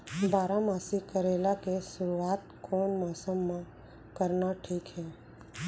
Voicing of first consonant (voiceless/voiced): voiced